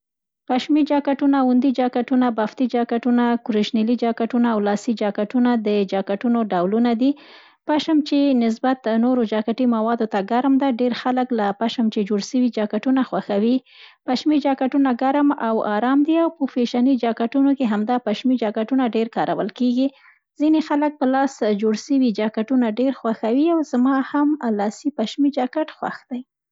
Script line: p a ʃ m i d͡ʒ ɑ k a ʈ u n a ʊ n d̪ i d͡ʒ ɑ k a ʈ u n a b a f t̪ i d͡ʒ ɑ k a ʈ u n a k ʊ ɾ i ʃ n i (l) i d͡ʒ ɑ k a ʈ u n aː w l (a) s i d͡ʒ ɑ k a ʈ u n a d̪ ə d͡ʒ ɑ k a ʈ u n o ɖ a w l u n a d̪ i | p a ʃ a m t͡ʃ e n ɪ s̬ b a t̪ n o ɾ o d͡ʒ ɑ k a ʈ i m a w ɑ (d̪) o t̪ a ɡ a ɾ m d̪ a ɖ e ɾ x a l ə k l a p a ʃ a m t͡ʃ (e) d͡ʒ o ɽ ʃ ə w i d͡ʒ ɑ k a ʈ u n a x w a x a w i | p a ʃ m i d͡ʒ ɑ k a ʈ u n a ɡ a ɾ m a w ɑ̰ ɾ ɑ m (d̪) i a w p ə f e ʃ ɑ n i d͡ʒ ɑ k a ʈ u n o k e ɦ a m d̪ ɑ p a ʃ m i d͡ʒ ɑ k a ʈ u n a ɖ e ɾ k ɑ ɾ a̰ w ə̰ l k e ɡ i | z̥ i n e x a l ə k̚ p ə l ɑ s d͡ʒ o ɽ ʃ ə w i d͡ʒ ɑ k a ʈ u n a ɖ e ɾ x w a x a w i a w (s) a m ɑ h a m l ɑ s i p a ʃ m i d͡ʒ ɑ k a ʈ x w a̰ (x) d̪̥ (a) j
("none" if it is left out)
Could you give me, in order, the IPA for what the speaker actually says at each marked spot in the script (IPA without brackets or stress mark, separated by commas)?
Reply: l, ɑ, d̪, e, d̪, z, x, a